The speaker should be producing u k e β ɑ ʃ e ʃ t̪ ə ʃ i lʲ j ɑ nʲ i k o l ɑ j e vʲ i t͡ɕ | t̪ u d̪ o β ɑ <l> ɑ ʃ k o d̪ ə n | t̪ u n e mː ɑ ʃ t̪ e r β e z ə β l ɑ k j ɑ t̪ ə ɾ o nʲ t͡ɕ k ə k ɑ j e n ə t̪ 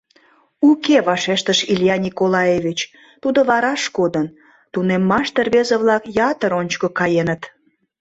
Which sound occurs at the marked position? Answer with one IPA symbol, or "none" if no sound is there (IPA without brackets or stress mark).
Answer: ɾ